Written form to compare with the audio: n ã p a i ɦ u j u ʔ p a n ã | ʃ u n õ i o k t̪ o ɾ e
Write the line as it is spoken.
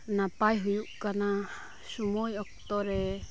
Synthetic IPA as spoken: n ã p a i ɦ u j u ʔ k a n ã | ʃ u m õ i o k t̪ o ɾ e